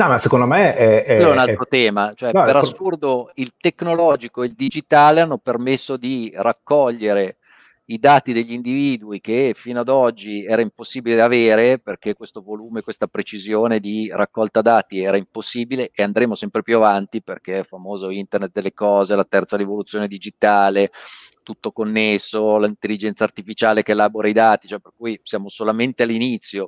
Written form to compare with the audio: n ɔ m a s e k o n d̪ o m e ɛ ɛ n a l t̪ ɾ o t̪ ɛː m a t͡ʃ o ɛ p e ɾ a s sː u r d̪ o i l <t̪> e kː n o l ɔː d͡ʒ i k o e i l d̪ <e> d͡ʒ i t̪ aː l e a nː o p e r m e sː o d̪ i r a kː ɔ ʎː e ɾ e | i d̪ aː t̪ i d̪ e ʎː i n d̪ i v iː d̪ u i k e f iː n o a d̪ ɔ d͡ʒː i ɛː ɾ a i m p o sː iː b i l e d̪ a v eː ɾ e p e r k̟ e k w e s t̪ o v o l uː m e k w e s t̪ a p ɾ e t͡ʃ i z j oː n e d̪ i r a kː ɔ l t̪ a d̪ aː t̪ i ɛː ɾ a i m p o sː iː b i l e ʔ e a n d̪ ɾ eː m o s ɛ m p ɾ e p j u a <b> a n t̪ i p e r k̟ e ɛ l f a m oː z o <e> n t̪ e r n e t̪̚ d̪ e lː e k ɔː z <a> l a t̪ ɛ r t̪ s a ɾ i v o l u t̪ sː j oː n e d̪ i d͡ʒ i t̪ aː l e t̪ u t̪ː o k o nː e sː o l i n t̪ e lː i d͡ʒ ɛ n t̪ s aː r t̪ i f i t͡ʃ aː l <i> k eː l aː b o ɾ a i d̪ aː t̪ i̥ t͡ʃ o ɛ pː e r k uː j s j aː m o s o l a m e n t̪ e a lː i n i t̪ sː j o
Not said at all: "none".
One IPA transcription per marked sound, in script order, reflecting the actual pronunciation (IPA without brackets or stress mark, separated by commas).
t̪, i, v, i, e, e